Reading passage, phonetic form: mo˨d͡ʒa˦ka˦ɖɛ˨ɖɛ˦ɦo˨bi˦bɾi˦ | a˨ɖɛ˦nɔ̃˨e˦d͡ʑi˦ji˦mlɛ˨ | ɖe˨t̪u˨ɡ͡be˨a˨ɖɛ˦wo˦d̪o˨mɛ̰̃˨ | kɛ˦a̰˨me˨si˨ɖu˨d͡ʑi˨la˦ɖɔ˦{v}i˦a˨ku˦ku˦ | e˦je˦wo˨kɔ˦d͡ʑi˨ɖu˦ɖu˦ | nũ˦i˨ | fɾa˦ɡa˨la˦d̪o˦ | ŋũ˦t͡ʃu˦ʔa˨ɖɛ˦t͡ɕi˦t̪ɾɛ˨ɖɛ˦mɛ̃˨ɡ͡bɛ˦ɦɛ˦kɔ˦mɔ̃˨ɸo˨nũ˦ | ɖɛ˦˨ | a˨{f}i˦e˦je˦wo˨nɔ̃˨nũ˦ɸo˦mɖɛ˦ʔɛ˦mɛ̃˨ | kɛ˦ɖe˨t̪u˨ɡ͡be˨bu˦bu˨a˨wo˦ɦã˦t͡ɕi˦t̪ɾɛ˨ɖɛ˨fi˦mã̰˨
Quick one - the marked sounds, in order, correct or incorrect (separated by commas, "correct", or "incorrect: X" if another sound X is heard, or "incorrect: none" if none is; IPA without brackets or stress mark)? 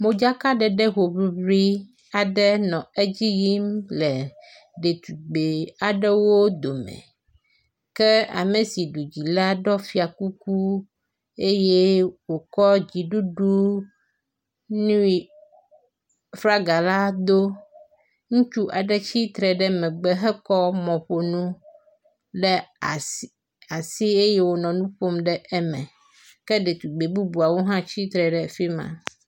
incorrect: f, incorrect: s